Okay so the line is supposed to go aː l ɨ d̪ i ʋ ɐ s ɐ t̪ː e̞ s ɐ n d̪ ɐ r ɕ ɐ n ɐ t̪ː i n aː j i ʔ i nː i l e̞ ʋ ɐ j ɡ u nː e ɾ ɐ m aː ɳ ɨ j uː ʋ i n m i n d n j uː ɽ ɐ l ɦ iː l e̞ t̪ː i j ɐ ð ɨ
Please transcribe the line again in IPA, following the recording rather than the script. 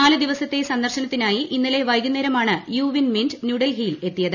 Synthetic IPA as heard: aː l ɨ d̪ i ʋ ɐ s ɐ t̪ː e̞ s ɐ n d̪ ɐ r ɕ ɐ n ɐ t̪ː i n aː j i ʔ i nː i l e̞ ʋ ɐ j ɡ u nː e ɾ ɐ m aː ɳ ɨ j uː ʋ i n m i n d n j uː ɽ ɐ l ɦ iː l e̞ t̪ː i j ɐ ð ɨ

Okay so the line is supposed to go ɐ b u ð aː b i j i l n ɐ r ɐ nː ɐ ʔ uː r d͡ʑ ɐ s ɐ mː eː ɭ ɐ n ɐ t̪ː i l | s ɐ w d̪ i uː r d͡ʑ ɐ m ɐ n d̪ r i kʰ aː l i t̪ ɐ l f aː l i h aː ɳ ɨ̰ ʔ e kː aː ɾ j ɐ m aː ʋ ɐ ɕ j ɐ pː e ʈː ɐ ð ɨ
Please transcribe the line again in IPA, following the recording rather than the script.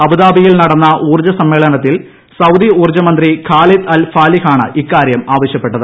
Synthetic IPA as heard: ɐ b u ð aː b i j i l n ɐ ɽ ɐ nː ɐ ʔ uː r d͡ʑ ɐ s ɐ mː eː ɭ ɐ n ɐ t̪ː i l | s ɐ w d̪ i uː r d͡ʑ ɐ m ɐ n d̪ r i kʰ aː l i t̪ ɐ l f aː l i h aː ɳ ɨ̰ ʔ i kː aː ɾ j ɐ m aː ʋ ɐ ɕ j ɐ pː e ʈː ɐ ð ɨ

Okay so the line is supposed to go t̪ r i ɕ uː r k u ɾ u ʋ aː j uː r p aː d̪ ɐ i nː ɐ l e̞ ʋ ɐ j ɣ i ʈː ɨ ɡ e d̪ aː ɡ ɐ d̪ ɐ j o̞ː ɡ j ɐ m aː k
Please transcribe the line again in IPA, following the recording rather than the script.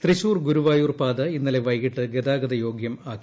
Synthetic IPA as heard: t̪ r i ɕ uː r ɡ u ɾ u ʋ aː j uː r p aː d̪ ɐ i nː ɐ l e̞ ʋ ɐ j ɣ i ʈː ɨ ɡ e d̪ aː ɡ ɐ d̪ ɐ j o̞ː ɡ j ɐ m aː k

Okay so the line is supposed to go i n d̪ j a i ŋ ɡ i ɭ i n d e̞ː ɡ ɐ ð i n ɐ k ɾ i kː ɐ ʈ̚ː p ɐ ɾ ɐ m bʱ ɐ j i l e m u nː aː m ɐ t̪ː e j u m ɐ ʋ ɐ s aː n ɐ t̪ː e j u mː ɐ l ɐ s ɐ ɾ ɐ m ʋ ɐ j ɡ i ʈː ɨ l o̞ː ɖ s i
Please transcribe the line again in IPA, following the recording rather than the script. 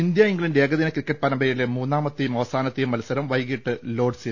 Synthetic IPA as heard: i n d̪ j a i ŋ ɡ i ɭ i n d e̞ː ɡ ɐ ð i n ɐ k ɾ i kː ɐ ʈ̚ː p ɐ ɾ ɐ m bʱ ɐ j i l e m uː nː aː m ɐ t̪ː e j u m ɐ ʋ ɐ s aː n ɐ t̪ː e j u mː ɐ l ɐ s ɐ ɾ ɐ m ʋ ɐ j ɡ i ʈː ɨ l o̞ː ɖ s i

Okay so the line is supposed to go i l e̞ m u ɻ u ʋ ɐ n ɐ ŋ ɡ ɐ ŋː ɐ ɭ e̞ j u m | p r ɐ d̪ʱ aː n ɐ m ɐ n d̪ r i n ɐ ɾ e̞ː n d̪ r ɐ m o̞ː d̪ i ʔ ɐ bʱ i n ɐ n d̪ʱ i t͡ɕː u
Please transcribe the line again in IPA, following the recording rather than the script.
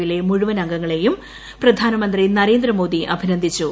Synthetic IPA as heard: i l e̞ m u ɻ u ʋ ɐ n ɐ ŋ ɡ ɐ ŋː ɐ ɭ e̞ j u m | p r ɐ d̪ʱ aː n ɐ m ɐ n d̪ r i n ɐ ɾ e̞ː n d̪ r ɐ m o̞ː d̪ i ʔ ɐ bʱ i n ɐ n d̪ʱ i t͡ɕː u

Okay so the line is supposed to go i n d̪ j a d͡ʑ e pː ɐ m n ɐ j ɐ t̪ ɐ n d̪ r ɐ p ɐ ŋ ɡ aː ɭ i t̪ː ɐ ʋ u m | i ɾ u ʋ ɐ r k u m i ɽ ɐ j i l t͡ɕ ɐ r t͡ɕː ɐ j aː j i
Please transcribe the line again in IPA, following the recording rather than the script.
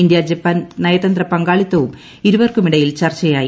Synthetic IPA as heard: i n d̪ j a d͡ʑ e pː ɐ n n ɐ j ɐ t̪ ɐ n d̪ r ɐ p ɐ ŋ ɡ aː ɭ i t̪ː ɐ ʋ u m | i ɾ u ʋ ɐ r k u m i ɽ ɐ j i l t͡ɕ ɐ r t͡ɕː ɐ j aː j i

